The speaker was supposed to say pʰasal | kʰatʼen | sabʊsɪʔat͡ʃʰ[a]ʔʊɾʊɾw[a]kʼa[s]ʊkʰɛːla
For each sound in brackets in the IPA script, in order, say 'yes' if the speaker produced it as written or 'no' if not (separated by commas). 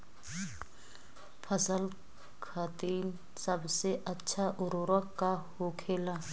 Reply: yes, yes, no